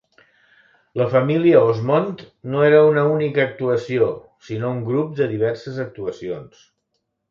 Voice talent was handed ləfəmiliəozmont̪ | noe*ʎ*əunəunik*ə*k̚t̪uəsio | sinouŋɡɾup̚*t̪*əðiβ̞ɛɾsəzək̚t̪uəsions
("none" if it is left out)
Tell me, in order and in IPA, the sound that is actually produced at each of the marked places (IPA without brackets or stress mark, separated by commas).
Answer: ɾ, əː, d̪